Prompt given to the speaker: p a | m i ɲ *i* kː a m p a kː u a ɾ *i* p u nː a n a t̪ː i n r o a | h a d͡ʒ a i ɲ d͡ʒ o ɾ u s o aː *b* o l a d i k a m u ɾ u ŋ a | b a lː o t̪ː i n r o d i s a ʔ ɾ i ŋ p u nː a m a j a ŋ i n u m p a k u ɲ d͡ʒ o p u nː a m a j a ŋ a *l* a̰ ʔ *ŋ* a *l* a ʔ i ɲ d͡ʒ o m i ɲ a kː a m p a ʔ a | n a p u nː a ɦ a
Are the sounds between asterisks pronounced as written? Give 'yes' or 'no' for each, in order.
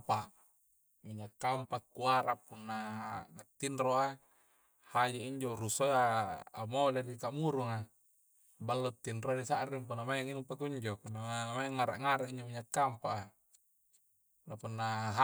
no, no, no, no, yes, no

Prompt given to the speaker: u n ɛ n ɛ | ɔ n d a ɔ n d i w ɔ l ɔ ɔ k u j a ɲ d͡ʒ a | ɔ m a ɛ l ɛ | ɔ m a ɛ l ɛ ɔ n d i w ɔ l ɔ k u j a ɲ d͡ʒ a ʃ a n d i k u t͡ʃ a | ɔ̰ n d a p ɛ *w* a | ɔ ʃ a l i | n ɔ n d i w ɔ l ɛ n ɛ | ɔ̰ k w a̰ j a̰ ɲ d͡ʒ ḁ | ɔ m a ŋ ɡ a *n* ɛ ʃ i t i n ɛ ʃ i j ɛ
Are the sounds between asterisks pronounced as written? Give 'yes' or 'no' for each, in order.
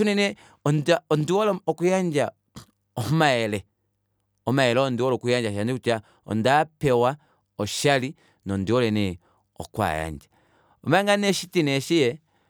yes, yes

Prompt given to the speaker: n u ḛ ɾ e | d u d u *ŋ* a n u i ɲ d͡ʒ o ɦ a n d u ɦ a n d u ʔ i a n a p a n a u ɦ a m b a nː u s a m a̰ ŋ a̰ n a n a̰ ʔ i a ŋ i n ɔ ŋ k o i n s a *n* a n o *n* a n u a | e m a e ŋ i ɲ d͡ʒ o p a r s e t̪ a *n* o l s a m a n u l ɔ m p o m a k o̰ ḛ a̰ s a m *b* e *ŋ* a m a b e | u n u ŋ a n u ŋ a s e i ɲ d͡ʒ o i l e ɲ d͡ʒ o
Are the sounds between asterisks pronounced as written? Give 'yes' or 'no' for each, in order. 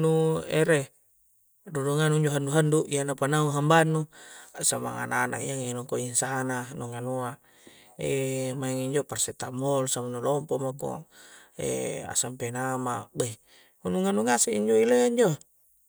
yes, yes, no, no, no, no

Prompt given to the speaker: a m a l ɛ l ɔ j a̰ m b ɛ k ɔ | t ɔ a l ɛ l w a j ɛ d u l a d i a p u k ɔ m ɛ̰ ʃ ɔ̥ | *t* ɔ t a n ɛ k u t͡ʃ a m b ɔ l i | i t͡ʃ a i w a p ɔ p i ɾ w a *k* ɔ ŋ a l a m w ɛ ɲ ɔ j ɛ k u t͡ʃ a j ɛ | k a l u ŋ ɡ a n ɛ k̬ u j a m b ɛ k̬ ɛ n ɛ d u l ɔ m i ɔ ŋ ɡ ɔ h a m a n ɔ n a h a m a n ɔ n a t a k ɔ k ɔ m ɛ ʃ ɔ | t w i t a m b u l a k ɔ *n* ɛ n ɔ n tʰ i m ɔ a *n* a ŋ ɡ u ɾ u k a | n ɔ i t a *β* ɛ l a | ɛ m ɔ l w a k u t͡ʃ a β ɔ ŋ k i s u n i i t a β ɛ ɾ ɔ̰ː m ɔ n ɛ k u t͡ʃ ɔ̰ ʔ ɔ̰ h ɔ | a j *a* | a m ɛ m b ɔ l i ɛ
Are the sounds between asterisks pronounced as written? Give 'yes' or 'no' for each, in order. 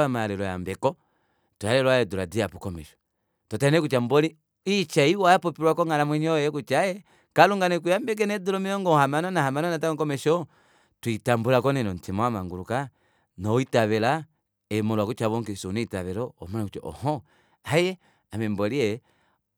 yes, yes, yes, no, yes, no

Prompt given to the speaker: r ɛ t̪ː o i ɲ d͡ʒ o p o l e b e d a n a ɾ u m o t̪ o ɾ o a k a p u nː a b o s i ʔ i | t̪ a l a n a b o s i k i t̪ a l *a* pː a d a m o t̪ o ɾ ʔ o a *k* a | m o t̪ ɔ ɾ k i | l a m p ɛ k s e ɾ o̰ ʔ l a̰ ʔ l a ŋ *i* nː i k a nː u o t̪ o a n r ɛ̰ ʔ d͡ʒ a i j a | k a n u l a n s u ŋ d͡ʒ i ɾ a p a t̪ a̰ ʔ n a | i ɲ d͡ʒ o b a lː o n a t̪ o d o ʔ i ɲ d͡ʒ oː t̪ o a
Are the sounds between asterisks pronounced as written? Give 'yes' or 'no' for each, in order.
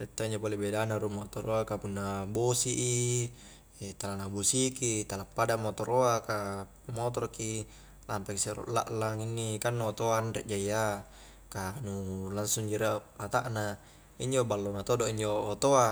yes, yes, yes

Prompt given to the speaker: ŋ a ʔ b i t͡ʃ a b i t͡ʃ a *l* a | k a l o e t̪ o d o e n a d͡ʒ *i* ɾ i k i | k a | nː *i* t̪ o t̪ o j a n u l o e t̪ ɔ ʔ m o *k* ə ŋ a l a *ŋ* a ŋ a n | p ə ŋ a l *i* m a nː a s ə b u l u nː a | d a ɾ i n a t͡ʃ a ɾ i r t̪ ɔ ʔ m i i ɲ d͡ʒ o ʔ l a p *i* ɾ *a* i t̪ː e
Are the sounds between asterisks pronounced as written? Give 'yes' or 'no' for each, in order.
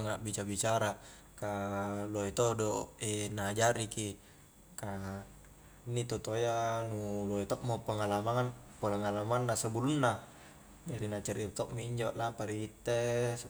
no, no, yes, no, no, no, no, no

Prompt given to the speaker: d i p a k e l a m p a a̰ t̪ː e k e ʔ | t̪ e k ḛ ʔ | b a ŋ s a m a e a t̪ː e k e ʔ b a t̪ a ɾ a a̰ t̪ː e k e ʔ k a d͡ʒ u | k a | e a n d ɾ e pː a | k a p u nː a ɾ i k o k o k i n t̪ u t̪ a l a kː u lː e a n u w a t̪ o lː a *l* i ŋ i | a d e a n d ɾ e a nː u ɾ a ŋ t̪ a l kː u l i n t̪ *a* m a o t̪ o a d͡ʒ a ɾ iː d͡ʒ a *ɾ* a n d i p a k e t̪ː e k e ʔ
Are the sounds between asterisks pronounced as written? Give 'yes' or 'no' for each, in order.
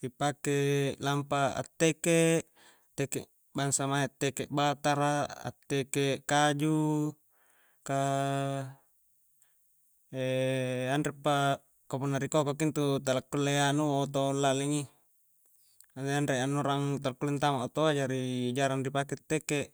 yes, yes, yes

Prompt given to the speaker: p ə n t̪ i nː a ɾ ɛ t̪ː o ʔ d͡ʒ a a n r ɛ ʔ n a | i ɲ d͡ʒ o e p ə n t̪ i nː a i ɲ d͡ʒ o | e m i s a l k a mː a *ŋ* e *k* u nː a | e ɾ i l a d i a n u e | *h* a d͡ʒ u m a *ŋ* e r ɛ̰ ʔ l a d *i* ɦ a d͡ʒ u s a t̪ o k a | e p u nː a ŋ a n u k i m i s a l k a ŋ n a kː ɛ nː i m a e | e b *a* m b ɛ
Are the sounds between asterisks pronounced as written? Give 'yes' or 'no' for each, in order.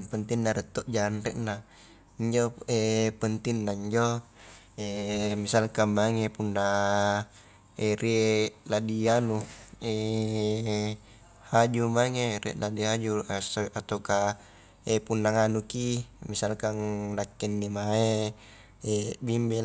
yes, no, yes, yes, yes, no

